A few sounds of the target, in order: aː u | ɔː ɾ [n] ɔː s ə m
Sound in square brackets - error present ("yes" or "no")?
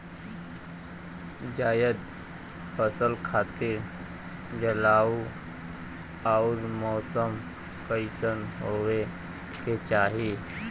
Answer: yes